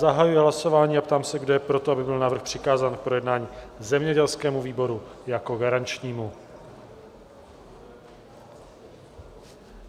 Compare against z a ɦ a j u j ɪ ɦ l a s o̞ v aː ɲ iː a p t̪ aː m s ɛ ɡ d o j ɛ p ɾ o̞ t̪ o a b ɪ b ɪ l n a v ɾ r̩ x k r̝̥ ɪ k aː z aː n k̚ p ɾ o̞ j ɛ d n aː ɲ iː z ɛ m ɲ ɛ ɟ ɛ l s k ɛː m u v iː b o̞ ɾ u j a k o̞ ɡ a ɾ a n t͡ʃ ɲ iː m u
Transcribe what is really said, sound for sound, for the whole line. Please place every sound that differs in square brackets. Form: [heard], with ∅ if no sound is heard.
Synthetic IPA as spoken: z a ɦ a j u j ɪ ɦ l a s o̞ v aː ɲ iː a p t̪ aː m s ɛ ɡ d o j ɛ p ɾ o̞ t̪ o a b ɪ b ɪ l n a v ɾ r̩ x [p] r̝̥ ɪ k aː z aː n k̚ p ɾ o̞ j ɛ d n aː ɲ iː z ɛ m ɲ ɛ ɟ ɛ l s k ɛː m u v iː b o̞ ɾ u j a k o̞ ɡ a ɾ a n t͡ʃ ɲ iː m u